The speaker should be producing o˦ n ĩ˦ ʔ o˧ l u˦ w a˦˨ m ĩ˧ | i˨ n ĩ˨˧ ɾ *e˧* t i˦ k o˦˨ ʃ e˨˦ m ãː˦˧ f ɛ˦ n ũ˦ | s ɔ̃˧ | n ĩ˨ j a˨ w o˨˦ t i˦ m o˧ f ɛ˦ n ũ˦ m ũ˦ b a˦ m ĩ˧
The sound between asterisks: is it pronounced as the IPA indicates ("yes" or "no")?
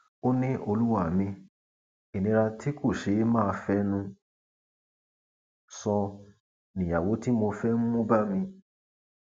no